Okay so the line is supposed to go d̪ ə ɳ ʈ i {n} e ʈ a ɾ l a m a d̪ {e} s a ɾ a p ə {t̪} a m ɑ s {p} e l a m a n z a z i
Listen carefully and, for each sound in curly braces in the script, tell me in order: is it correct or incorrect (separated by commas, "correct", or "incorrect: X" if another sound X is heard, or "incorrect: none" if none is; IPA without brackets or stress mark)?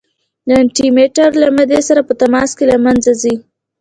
incorrect: m, correct, correct, incorrect: k